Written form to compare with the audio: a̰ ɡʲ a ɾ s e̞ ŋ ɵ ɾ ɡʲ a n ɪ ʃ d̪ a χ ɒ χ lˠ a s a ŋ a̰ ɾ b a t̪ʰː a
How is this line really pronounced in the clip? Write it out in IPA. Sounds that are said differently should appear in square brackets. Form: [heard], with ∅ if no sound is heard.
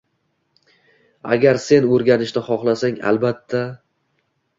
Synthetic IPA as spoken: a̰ ɡʲ a ɾ s e̞ [n] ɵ ɾ ɡʲ a n ɪ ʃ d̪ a χ ɒ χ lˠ a s a ŋ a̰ [l] b a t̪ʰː a